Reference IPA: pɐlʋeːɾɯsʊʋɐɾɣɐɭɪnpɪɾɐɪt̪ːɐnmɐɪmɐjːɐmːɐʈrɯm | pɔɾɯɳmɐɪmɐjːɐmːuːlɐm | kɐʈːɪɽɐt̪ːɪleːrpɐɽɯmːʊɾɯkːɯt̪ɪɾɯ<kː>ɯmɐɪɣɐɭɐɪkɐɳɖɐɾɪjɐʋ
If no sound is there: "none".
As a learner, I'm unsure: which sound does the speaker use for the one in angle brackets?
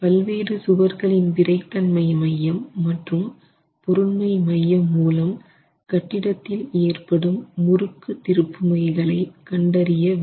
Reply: pː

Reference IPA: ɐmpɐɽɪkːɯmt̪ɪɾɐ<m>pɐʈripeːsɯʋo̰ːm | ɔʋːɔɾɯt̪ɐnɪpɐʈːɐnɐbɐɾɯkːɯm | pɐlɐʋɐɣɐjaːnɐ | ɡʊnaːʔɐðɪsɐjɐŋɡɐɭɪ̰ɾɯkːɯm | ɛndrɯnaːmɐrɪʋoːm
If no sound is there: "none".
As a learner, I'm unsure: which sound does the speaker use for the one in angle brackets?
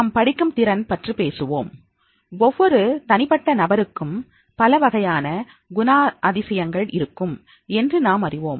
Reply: n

